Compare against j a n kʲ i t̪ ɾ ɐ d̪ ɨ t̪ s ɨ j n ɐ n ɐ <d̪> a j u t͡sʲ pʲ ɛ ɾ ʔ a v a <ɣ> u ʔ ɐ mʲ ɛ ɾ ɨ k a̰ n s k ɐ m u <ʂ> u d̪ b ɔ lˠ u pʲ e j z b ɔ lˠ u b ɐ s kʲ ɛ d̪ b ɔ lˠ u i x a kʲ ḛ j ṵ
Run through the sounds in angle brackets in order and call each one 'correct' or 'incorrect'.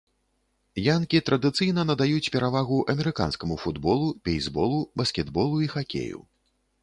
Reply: correct, correct, incorrect

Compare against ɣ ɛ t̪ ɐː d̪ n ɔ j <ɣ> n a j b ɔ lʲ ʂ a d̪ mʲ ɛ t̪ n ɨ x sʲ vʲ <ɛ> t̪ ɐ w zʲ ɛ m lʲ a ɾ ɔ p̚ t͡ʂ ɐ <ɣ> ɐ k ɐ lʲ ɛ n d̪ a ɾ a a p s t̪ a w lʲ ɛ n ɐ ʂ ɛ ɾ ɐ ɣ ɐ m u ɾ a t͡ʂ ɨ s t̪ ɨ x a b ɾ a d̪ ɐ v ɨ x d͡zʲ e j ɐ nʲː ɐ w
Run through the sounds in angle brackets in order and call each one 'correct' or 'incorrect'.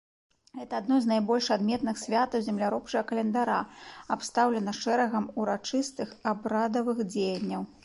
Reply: incorrect, incorrect, correct

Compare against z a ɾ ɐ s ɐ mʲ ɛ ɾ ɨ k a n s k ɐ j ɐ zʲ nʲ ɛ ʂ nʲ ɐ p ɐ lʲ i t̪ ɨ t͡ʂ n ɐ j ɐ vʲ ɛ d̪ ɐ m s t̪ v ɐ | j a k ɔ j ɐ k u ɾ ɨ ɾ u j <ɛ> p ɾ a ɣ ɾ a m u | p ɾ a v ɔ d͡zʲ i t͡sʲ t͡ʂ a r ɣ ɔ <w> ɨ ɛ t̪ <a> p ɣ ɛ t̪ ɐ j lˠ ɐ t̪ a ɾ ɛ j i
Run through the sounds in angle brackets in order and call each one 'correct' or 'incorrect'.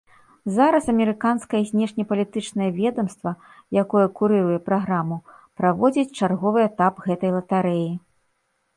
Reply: correct, incorrect, correct

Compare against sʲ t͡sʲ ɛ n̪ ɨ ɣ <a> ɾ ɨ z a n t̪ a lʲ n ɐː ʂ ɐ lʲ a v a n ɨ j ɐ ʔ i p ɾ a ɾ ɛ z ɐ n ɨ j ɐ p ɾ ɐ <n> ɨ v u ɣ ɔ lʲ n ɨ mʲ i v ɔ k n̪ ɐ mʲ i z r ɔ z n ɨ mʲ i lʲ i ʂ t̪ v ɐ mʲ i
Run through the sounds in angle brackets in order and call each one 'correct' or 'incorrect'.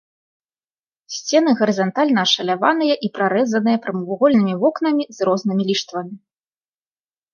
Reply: incorrect, incorrect

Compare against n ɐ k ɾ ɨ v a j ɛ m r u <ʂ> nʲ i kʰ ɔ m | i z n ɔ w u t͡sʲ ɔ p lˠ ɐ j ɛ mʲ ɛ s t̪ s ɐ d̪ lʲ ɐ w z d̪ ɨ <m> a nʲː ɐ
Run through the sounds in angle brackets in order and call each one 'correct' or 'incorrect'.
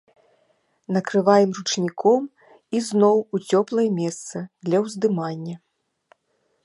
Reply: incorrect, correct

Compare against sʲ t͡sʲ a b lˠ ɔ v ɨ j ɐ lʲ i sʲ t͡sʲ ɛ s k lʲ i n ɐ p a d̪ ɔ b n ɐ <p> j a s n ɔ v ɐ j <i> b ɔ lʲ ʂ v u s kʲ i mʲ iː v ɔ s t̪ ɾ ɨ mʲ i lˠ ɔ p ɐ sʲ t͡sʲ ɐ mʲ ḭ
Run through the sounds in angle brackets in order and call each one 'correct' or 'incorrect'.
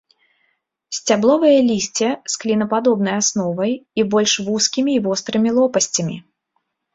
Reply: incorrect, correct

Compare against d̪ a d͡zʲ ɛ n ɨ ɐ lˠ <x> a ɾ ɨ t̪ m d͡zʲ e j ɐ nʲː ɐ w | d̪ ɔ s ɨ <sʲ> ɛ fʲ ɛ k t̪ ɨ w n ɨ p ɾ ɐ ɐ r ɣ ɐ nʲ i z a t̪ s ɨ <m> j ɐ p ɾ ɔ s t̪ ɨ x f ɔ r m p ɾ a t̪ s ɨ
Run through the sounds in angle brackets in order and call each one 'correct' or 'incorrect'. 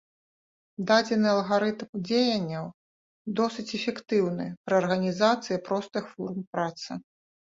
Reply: incorrect, incorrect, incorrect

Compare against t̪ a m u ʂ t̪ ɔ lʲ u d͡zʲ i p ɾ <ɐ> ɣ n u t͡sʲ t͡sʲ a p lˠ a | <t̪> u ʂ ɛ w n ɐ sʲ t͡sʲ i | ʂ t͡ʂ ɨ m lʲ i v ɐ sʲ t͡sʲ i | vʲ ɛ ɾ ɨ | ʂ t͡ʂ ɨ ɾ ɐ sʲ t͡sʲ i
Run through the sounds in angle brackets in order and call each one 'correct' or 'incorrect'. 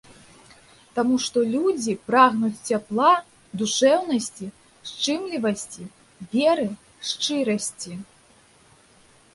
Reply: incorrect, incorrect

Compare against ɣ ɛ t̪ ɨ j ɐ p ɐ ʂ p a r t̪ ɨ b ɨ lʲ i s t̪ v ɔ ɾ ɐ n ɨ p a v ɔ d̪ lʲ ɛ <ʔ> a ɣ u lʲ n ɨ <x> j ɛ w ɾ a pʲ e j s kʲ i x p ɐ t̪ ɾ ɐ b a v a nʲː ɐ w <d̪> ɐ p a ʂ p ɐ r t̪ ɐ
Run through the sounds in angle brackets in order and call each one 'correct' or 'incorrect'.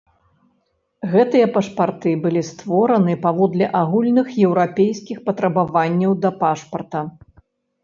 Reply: correct, correct, correct

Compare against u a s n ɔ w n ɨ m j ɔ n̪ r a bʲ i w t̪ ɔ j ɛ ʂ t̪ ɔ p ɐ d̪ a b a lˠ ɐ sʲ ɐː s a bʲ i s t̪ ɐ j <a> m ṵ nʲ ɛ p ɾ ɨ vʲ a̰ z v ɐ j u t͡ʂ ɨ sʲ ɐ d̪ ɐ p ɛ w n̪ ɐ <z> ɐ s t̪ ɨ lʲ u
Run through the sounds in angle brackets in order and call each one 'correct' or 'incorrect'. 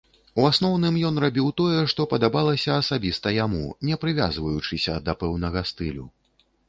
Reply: correct, incorrect

